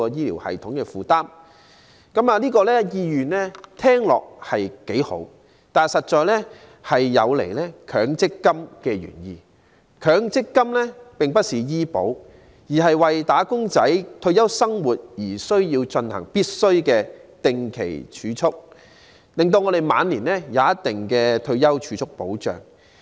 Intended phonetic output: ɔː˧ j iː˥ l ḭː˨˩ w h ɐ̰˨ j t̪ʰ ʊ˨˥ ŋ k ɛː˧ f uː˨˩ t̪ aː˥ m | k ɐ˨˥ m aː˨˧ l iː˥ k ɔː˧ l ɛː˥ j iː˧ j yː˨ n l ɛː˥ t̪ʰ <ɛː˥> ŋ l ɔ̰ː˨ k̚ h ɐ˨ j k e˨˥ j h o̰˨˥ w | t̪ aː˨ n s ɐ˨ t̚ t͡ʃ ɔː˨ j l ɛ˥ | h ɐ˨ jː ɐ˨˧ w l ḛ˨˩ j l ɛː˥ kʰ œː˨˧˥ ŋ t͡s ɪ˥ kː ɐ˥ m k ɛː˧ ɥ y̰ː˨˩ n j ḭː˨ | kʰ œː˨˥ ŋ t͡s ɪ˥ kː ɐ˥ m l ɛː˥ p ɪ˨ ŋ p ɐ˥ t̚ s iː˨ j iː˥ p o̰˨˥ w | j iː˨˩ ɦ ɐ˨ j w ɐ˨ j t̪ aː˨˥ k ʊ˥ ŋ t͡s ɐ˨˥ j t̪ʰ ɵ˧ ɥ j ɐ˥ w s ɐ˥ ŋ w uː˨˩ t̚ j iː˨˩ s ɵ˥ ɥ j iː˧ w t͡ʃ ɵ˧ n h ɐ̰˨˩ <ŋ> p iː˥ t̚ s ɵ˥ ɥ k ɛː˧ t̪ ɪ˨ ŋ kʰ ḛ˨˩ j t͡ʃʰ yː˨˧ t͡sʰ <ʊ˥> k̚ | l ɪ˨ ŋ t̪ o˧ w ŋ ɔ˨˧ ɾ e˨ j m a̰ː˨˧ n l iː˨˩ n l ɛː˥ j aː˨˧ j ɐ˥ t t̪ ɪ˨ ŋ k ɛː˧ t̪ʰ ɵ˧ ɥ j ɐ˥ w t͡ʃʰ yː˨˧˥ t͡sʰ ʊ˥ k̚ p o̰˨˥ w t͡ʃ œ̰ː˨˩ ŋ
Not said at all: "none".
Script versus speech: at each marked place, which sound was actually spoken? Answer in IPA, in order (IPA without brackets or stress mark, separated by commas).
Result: ɛː˥, ŋ, ʊ˥